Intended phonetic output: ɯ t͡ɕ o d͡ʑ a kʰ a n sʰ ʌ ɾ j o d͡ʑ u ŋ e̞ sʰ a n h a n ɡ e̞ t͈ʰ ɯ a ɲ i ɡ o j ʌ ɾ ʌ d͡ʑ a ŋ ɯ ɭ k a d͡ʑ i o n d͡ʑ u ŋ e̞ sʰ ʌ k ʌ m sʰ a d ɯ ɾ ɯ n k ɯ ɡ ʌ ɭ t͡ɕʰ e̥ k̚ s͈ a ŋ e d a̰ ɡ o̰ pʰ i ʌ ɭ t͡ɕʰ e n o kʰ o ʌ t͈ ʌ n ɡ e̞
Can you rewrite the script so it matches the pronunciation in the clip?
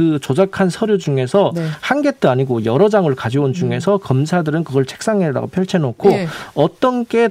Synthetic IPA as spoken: ɯ t͡ɕ o d͡ʑ a kʰ a n sʰ ʌ ɾ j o d͡ʑ u ŋ e̞ sʰ ʌ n h a n ɡ e̞ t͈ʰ ɯ a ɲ i ɡ o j ʌ ɾ ʌ d͡ʑ a ŋ ɯ ɭ k a d͡ʑ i o n d͡ʑ u ŋ e̞ sʰ ʌ k ʌ m sʰ a d ɯ ɾ ɯ n k ɯ ɡ ʌ ɭ t͡ɕʰ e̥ k̚ s͈ a ŋ e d a̰ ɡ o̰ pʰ j ʌ ɭ t͡ɕʰ e n o kʰ o ʌ t͈ ʌ n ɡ e̞